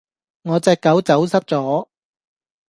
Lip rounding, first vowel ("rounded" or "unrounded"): rounded